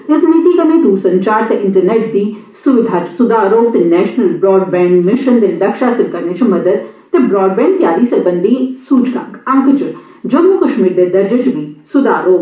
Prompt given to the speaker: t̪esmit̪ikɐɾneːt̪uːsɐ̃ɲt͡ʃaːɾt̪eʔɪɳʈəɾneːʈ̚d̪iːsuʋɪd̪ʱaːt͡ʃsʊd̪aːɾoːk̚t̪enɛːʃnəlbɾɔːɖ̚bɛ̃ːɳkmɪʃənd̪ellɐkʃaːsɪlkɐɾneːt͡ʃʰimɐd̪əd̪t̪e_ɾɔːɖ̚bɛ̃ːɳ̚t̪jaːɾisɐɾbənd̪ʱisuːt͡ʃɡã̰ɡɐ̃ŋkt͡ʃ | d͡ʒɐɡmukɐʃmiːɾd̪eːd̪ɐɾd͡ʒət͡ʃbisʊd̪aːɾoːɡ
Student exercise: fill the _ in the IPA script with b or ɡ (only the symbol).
b